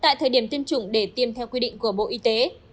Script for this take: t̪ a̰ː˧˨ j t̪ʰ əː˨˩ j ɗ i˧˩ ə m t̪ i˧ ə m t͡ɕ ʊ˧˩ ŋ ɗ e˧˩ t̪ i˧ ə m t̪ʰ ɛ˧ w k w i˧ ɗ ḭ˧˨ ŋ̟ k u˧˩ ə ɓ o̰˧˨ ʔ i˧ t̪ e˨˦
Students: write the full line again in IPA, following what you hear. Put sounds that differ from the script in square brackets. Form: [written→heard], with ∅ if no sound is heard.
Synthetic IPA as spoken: t̪ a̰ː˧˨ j t̪ʰ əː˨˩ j ɗ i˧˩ ə m t̪ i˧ ə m t͡ɕ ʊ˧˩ [ŋ→ŋ͡m] ɗ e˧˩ t̪ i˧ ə m t̪ʰ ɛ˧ w k w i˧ ɗ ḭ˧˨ ŋ̟ k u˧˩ ə ɓ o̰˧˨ ʔ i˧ t̪ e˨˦